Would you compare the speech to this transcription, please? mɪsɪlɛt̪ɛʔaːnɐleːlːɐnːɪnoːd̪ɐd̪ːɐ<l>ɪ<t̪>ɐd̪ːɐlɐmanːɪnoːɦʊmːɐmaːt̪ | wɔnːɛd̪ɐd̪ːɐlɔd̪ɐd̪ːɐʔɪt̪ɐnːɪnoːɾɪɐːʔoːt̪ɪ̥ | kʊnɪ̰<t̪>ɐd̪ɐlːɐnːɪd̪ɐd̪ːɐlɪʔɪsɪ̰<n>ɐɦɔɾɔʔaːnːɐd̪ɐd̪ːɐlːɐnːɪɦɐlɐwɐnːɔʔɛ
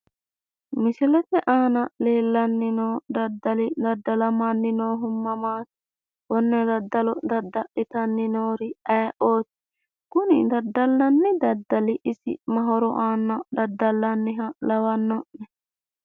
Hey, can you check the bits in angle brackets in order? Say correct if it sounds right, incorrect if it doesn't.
correct, incorrect: d̪, incorrect: d̪, incorrect: m

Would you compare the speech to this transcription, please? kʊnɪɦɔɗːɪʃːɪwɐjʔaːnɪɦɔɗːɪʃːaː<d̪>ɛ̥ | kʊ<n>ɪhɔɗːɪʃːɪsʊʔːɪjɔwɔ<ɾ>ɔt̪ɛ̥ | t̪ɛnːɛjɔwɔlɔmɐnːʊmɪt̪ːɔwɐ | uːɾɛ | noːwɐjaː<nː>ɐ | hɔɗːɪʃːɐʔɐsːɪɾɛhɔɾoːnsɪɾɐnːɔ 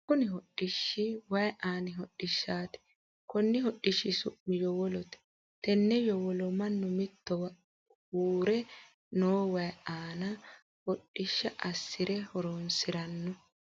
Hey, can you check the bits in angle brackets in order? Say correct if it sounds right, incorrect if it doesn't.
incorrect: t̪, incorrect: nː, incorrect: l, incorrect: n

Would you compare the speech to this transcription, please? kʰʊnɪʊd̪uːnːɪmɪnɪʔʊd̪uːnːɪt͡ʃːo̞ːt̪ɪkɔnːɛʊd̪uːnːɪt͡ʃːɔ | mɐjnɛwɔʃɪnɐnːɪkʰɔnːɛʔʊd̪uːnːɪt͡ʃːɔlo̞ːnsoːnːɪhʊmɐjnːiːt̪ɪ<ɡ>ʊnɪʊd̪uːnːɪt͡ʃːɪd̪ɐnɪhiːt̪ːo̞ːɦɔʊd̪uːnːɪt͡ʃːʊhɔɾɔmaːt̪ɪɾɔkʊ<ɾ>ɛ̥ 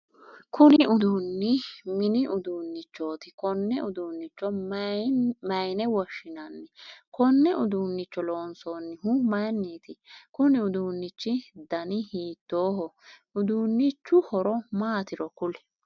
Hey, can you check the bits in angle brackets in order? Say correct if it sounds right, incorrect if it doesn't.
incorrect: k, incorrect: l

